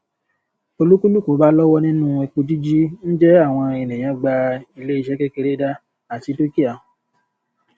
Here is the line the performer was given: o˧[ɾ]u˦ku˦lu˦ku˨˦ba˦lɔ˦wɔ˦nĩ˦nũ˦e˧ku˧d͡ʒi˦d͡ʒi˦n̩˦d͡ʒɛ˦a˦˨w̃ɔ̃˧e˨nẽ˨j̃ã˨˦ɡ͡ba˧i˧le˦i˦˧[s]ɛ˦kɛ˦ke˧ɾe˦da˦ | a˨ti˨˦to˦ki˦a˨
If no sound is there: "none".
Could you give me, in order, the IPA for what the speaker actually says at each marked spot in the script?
l, ʃ

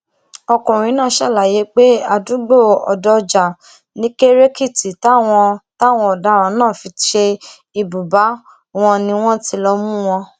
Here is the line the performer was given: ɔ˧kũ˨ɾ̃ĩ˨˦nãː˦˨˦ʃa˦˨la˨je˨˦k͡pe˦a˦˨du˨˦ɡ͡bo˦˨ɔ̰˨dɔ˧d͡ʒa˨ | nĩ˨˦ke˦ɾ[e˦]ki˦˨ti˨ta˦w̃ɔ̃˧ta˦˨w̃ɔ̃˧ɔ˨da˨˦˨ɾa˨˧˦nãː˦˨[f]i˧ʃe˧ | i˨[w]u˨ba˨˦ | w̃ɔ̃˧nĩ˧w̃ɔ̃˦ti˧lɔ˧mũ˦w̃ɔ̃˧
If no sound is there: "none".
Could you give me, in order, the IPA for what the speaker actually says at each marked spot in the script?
e˦, f, b

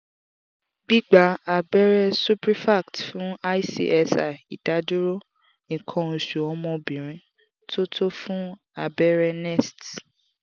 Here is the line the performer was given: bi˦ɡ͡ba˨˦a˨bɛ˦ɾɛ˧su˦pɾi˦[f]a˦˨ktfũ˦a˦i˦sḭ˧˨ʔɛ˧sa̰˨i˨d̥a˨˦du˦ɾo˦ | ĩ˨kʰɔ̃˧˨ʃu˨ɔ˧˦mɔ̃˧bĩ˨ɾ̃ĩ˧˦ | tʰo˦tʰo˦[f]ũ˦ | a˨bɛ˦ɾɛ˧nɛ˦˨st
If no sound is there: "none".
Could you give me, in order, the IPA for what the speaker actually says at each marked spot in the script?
f, f

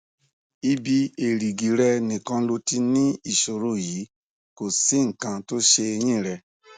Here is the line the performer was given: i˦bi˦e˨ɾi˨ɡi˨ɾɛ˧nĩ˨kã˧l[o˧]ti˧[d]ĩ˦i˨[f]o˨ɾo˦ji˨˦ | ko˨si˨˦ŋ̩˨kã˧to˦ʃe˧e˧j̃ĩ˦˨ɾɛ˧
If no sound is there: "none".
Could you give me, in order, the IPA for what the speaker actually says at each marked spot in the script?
o˧, n, ʃ

